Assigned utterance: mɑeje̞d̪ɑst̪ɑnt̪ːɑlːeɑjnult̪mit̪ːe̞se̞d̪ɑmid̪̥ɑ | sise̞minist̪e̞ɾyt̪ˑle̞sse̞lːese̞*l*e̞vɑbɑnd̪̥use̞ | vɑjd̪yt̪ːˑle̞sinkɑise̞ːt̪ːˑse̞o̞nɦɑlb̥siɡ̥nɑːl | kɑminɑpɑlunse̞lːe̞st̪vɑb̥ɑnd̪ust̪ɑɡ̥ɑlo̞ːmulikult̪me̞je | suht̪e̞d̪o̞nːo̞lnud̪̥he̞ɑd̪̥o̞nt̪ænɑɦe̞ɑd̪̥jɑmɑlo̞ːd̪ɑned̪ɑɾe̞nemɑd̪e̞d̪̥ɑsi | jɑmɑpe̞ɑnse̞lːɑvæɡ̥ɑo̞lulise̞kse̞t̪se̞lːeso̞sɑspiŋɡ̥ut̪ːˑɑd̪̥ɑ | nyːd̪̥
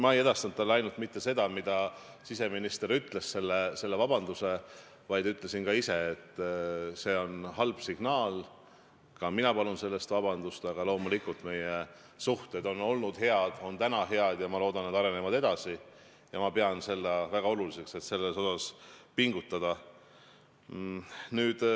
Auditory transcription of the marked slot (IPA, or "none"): lː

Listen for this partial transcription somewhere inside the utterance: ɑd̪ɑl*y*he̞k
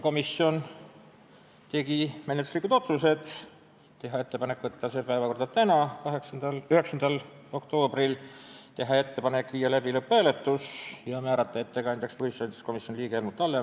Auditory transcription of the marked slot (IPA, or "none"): y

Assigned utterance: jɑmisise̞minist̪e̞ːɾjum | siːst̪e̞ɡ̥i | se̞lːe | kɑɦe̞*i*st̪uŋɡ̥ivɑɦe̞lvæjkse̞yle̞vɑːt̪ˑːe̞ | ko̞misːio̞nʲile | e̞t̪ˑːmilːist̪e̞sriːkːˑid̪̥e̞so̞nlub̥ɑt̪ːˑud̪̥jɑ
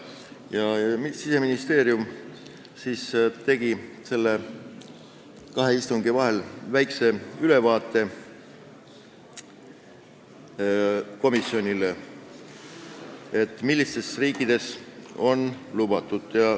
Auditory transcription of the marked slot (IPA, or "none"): i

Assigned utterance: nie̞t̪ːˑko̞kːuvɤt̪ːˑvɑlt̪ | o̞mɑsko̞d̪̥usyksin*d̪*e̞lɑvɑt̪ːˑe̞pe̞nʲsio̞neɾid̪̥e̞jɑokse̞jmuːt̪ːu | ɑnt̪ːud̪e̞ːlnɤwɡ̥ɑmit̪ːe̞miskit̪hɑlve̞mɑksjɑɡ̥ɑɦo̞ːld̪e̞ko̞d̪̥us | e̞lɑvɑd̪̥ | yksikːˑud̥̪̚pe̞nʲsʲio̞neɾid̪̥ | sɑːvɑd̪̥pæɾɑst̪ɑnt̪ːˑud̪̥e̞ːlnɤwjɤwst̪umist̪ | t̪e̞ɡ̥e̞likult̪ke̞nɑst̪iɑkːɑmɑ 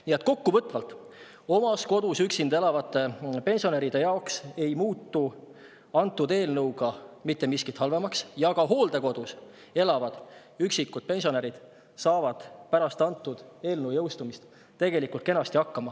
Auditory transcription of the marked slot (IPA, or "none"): d̪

